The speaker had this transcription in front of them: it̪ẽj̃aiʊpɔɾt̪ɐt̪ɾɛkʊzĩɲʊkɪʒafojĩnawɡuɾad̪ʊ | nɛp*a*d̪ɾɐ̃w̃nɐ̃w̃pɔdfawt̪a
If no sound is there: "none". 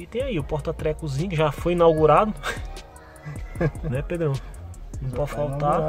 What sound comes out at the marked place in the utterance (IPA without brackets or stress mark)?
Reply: e